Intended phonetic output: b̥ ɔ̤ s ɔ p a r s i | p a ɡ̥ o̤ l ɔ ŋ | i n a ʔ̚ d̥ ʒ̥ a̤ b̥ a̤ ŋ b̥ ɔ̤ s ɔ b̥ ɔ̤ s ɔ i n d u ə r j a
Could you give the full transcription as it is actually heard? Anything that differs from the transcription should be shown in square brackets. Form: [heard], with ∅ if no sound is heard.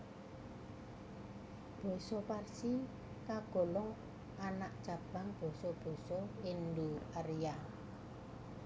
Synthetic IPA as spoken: b̥ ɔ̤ s ɔ p a r s i | [k] a ɡ̥ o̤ l ɔ ŋ | [a] n a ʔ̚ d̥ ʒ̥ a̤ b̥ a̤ ŋ b̥ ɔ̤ s ɔ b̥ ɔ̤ s ɔ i n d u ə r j a